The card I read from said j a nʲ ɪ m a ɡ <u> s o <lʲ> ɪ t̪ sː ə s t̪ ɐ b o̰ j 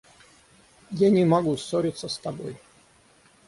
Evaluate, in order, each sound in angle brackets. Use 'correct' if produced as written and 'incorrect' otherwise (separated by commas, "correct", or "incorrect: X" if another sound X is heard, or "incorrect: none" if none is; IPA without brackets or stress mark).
correct, incorrect: ɾʲ